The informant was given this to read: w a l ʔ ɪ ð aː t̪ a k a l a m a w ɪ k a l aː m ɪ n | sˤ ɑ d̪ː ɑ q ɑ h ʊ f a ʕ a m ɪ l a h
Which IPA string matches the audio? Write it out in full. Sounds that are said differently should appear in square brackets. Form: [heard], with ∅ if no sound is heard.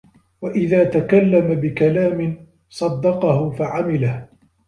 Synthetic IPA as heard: w a [∅] ʔ ɪ ð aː t̪ a k a [lː] a m a [b] ɪ k a l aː m ɪ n | sˤ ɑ d̪ː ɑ q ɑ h ʊ f a ʕ a m ɪ l a h